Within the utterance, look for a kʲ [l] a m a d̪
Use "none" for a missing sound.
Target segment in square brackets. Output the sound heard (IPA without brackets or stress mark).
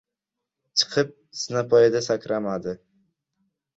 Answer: ɾ